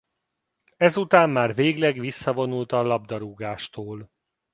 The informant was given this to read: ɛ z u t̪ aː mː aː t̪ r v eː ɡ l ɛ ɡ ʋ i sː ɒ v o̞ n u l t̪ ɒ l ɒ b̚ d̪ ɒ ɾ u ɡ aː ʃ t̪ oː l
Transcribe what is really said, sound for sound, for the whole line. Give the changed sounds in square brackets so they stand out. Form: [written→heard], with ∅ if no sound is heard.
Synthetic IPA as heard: ɛ z u t̪ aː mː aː [t̪→∅] r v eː ɡ l ɛ ɡ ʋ i sː ɒ v o̞ n u l t̪ ɒ l ɒ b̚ d̪ ɒ ɾ u ɡ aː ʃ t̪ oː l